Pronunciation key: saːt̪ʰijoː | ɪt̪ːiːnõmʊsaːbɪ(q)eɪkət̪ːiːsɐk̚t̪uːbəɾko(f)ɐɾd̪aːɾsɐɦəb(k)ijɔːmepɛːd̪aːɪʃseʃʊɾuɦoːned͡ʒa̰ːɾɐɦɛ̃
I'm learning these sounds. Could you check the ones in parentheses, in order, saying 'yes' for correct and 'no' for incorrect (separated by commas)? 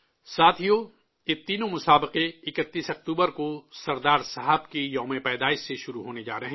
yes, no, yes